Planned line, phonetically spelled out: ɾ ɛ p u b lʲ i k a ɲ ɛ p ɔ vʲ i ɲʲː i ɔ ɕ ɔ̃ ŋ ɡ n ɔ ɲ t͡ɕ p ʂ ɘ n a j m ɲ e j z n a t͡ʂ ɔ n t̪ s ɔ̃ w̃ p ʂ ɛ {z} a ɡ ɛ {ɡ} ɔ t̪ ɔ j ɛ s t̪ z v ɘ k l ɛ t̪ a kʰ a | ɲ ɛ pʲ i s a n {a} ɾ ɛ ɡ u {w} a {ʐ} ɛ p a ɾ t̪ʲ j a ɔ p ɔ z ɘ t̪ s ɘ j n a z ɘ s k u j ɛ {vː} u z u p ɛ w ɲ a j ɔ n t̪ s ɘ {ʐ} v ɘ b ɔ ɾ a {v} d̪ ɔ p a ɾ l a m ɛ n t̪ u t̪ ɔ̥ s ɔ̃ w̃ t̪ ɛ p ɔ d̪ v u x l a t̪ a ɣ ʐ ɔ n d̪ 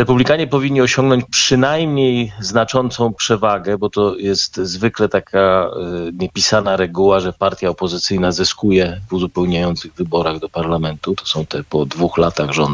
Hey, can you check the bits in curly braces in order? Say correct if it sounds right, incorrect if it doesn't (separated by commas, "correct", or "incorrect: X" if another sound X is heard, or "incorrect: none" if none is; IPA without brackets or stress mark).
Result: incorrect: v, incorrect: b, correct, correct, correct, incorrect: v, incorrect: ɣ, incorrect: ɣ